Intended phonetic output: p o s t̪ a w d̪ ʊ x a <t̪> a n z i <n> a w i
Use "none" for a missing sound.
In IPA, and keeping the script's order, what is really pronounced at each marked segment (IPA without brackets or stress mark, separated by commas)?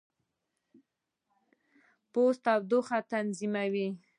t̪, m